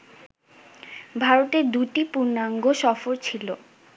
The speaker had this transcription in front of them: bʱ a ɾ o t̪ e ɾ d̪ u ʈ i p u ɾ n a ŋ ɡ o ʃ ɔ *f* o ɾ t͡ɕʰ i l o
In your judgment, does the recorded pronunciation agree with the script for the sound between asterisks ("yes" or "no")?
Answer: yes